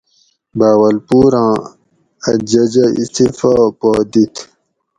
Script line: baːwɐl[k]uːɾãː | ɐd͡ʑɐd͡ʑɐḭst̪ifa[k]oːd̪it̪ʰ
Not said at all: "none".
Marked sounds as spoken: p, p

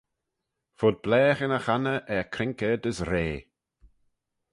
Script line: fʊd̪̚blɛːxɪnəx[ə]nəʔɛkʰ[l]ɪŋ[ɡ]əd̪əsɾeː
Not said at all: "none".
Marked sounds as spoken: a, ɾ, k

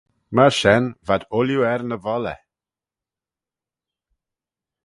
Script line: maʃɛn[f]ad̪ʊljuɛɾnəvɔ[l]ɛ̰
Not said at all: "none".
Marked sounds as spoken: v, l

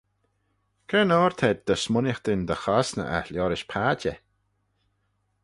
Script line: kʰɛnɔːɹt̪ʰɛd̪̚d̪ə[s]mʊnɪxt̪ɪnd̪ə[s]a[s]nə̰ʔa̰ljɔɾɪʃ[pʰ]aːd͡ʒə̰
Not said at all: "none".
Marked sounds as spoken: s, x, s, pʰ

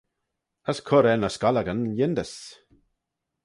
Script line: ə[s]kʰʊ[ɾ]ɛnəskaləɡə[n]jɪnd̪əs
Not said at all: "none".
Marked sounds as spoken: s, ɾ, n

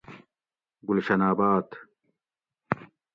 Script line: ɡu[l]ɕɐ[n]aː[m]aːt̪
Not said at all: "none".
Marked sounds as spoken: l, n, b

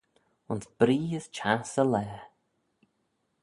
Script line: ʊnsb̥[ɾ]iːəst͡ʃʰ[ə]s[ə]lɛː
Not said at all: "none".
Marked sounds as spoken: ɾ, a, ə

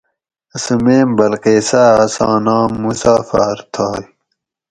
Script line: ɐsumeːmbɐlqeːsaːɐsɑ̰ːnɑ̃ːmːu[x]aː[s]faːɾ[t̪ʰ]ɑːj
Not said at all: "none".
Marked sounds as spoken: s, none, t̪ʰ

